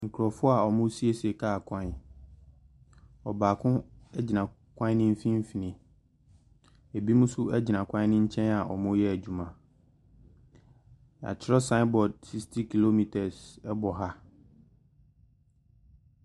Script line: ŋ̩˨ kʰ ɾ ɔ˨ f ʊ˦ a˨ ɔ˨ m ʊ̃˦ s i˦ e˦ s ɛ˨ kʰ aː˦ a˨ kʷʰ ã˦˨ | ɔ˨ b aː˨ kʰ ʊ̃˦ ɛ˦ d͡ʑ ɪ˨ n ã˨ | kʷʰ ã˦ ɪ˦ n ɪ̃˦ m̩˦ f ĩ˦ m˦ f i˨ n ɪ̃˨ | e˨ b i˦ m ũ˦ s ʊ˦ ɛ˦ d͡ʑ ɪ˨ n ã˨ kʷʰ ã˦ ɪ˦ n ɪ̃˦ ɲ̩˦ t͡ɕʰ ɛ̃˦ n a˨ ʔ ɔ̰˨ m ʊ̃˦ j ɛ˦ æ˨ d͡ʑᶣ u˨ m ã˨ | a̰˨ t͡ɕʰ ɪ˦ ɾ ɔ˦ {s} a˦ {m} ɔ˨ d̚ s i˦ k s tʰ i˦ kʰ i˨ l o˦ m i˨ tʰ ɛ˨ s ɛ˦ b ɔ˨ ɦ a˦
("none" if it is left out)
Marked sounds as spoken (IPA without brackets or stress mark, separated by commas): s, b